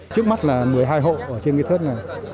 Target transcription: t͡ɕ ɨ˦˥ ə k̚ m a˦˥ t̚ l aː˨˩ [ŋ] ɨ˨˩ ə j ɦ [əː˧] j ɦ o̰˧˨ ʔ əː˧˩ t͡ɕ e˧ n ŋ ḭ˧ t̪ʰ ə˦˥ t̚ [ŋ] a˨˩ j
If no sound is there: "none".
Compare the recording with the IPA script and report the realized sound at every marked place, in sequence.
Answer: m, aː˧, n

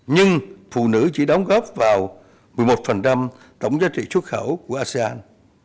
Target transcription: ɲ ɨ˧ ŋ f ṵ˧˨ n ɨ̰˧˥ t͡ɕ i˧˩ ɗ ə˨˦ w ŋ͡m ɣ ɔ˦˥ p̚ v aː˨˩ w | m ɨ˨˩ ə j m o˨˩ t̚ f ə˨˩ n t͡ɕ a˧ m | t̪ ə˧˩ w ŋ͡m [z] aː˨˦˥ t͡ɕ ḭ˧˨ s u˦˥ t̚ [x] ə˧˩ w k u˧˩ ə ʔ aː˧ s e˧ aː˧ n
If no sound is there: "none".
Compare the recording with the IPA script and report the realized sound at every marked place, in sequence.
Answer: z, x

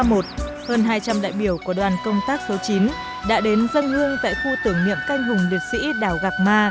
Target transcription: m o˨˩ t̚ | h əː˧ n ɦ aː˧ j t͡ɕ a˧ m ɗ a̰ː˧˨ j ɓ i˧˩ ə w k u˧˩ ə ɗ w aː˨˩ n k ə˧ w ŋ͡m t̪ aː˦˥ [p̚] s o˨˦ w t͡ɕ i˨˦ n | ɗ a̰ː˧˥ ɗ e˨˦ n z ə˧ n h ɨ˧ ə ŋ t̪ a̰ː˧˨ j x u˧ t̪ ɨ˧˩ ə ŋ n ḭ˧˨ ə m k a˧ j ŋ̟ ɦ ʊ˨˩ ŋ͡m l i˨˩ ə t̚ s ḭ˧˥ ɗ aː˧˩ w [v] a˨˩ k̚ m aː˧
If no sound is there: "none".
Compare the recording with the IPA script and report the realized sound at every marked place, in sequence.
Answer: k̚, ɣ

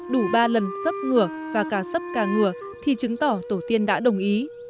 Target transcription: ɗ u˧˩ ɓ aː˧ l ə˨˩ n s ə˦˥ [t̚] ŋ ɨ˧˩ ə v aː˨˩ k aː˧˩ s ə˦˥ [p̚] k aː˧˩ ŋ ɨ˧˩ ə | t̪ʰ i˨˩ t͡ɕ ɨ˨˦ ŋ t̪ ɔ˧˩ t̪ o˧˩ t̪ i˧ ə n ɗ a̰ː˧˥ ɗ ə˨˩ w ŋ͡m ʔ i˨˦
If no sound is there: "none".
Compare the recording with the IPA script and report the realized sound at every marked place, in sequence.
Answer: p̚, p̚

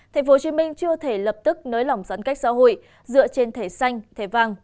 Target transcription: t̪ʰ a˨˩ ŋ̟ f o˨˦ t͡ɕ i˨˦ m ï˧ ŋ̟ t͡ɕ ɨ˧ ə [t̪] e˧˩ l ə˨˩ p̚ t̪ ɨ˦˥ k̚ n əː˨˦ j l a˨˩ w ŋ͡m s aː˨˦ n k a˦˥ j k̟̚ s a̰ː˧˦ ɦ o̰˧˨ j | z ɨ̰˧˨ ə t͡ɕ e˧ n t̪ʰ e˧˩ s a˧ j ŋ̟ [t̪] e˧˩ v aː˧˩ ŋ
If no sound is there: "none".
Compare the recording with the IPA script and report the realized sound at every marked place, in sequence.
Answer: t̪ʰ, t̪ʰ

